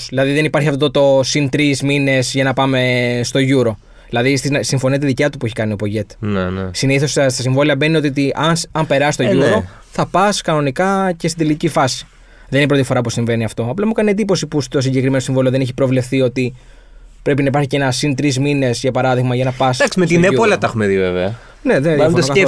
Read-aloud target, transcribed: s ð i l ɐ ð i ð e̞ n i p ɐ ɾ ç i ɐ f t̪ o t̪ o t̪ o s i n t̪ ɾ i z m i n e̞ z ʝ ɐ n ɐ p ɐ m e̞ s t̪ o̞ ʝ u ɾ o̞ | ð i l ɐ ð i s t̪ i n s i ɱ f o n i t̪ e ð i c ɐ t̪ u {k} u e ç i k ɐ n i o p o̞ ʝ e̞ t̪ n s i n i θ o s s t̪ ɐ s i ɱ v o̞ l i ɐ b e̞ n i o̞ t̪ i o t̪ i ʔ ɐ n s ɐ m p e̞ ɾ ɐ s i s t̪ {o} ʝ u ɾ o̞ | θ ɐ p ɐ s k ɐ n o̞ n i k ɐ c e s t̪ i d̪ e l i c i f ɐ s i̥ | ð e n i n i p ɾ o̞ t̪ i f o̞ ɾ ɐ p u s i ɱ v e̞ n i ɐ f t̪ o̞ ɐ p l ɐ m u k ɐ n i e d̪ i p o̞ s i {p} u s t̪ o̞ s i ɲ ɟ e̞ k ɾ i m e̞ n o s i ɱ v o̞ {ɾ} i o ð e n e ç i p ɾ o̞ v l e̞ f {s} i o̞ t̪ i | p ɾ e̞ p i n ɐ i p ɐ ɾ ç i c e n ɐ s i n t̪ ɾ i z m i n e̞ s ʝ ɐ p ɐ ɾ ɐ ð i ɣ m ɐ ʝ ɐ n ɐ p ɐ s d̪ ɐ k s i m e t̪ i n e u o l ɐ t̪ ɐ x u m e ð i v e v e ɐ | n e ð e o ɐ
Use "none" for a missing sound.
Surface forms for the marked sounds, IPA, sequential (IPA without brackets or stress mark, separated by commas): p, o, p, l, θ